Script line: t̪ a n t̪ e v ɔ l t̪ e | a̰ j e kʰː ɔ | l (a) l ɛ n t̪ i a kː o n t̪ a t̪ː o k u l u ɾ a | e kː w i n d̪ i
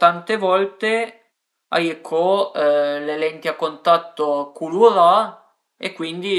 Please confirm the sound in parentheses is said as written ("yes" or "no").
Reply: no